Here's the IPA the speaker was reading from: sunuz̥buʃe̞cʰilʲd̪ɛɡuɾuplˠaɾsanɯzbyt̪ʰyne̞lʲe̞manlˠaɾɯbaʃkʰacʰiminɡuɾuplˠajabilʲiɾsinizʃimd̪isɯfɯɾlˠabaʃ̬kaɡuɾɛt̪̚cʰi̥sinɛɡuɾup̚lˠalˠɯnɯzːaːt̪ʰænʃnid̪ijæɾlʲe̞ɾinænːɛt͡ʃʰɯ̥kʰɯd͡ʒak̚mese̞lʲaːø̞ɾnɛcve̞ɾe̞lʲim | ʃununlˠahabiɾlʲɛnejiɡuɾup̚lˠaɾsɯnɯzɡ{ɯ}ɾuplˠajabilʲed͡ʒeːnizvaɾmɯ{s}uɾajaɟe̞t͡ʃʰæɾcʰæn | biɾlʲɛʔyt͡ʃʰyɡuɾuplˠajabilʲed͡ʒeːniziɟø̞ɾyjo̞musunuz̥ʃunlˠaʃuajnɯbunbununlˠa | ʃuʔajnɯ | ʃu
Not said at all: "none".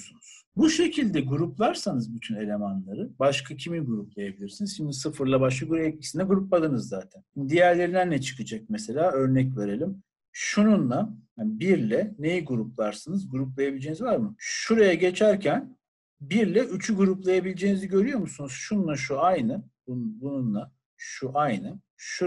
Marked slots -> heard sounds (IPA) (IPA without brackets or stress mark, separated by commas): u, ʃ